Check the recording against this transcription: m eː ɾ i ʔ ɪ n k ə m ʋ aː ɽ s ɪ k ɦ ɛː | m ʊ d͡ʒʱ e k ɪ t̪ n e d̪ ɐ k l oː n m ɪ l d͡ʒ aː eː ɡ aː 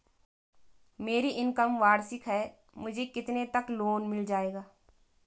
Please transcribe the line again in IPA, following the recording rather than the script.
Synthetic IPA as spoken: m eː ɾ i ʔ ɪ n k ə m ʋ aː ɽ s ɪ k ɦ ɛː | m ʊ d͡ʒʱ e k ɪ t̪ n e t̪ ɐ k l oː n m ɪ l d͡ʒ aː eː ɡ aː